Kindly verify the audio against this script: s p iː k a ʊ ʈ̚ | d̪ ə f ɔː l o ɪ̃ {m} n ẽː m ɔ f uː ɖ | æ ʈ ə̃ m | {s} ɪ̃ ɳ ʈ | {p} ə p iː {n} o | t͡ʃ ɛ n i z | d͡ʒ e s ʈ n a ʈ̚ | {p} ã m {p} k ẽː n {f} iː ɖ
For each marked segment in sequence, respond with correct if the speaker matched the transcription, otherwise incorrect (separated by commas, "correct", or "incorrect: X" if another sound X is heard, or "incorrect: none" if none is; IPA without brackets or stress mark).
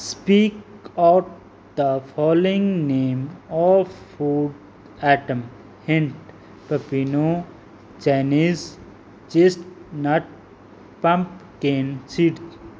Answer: incorrect: ŋ, incorrect: h, correct, correct, correct, correct, incorrect: s